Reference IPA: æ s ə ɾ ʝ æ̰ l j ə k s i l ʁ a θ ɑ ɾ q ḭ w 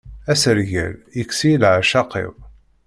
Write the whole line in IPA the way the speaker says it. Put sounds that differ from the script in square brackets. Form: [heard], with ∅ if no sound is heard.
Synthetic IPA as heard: æ s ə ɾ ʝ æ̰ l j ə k s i l [ʕ] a [ʃ] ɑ [∅] q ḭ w